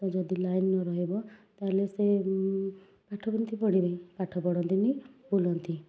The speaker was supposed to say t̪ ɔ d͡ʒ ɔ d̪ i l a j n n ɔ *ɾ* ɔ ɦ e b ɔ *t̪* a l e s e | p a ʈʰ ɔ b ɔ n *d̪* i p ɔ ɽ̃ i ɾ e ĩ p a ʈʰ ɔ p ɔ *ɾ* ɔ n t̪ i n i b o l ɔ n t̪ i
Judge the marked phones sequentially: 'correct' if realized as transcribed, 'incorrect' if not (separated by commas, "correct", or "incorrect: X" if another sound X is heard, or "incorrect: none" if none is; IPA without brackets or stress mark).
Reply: correct, correct, incorrect: t̪, incorrect: ɽ